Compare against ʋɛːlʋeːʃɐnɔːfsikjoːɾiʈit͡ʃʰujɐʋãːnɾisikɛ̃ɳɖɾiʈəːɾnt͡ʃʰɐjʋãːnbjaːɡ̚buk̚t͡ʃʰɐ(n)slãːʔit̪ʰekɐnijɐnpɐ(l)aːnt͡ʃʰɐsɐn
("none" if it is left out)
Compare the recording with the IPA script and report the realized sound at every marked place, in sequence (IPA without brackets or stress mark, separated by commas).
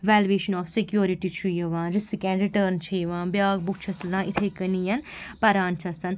none, ɾ